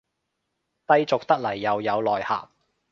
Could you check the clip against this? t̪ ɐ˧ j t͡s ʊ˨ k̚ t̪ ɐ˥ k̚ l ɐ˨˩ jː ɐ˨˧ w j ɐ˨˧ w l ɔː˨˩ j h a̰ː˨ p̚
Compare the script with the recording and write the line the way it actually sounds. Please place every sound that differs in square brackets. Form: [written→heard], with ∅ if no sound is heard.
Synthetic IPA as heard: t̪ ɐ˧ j t͡s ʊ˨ k̚ t̪ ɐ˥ k̚ l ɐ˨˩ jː ɐ˨˧ w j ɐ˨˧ w l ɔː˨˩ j h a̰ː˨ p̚